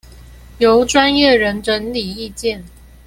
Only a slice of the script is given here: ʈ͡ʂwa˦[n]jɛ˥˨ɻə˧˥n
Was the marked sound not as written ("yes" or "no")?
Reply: no